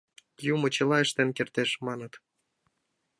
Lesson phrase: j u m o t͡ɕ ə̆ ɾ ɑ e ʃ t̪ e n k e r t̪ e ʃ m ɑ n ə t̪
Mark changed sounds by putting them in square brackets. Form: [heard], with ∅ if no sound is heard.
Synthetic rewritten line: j u m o t͡ɕ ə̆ [l] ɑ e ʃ t̪ e n k e r t̪ e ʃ m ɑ n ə t̪